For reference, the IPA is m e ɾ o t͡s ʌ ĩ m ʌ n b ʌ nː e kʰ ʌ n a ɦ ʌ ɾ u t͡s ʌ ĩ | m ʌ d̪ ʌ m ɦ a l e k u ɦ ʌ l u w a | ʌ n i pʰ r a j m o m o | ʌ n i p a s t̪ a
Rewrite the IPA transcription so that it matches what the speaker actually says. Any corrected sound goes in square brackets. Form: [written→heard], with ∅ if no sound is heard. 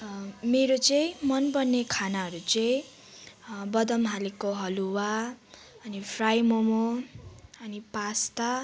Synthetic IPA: m e ɾ o t͡s ʌ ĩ m ʌ n b ʌ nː e kʰ [ʌ→a] n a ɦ ʌ ɾ u t͡s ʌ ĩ | [m→b] ʌ d̪ ʌ m ɦ a l e k [u→o] ɦ ʌ l u w a | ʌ n i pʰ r a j m o m o | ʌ n i p a s t̪ a